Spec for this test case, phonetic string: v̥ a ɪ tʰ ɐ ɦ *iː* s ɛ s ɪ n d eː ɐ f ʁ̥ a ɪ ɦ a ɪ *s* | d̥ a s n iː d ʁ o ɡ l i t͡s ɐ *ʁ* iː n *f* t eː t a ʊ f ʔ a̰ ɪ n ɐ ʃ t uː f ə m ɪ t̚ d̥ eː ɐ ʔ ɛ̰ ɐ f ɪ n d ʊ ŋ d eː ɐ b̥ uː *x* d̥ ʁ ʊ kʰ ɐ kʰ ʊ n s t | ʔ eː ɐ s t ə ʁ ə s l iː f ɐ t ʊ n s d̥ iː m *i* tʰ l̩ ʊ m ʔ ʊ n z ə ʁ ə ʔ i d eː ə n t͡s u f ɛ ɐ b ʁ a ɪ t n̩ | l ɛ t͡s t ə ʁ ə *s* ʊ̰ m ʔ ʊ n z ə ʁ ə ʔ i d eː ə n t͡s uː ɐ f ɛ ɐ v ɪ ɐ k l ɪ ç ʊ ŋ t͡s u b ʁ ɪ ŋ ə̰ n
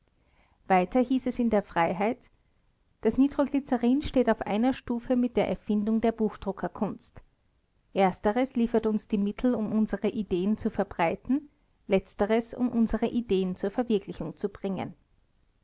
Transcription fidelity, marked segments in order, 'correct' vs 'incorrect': correct, incorrect, correct, incorrect, correct, incorrect, correct

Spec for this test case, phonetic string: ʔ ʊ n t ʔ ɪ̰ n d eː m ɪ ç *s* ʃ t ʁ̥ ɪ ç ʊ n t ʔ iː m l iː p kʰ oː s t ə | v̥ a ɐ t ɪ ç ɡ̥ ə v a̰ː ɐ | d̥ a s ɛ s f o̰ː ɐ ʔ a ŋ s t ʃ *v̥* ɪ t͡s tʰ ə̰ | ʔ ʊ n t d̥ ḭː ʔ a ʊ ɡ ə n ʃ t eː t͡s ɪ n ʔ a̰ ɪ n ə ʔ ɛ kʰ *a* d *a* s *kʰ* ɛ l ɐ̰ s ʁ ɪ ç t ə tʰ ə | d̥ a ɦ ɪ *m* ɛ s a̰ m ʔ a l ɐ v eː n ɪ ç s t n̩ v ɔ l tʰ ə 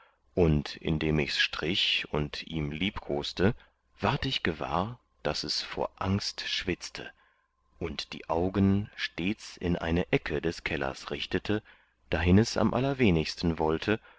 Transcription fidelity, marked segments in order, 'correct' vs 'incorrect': correct, correct, incorrect, incorrect, correct, incorrect

